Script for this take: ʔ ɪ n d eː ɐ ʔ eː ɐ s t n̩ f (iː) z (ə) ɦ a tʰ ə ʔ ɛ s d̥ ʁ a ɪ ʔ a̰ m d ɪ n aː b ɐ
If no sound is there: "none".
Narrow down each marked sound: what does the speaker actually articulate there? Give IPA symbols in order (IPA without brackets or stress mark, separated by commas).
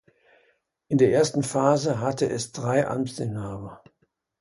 aː, ə